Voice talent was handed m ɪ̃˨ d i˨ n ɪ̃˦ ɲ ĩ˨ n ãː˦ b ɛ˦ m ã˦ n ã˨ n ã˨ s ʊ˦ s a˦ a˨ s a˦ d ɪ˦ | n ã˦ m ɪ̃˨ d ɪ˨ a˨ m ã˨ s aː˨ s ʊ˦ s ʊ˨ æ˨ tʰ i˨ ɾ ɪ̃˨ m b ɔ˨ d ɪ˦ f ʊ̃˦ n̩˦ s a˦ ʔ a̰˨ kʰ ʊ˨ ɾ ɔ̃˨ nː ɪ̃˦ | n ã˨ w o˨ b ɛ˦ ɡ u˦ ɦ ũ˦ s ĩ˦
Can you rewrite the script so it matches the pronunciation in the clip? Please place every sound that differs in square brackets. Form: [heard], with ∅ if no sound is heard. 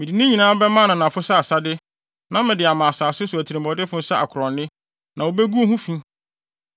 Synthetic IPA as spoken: m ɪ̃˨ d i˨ n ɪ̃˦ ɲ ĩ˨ n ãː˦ b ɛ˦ m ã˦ n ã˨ n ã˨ [f] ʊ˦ s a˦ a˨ s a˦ d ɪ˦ | n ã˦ m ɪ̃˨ d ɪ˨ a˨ m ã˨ s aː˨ s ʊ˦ s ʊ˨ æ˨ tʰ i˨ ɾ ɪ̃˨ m b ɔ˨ d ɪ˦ f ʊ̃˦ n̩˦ s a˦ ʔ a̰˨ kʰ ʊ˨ ɾ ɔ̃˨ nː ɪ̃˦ | n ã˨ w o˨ b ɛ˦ ɡ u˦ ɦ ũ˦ [f] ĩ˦